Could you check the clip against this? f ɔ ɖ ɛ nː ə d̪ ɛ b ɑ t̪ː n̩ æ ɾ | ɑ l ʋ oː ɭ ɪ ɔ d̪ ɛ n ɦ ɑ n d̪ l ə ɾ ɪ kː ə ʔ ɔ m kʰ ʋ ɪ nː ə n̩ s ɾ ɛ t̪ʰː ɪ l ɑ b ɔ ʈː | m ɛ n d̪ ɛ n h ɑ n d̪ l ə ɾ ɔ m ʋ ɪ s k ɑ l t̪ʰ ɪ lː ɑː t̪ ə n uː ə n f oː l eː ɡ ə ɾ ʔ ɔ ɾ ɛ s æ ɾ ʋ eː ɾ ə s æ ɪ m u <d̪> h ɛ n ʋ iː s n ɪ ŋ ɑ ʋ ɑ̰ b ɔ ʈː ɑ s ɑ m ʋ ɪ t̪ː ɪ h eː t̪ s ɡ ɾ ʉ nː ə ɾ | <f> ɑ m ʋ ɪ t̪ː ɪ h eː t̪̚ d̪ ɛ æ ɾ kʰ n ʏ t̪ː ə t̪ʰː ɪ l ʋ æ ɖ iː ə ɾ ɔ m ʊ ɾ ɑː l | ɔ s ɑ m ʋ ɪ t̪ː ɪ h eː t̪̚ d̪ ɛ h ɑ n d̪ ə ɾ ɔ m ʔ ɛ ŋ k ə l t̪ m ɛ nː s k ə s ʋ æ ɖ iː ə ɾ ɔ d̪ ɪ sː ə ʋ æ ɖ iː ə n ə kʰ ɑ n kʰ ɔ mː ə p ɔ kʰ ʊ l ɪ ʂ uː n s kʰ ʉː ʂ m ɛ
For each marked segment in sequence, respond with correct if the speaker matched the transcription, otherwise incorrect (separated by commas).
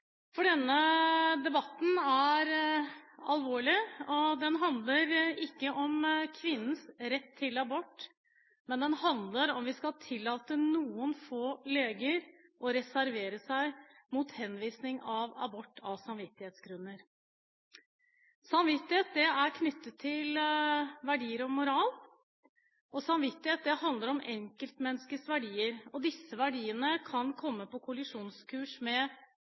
incorrect, incorrect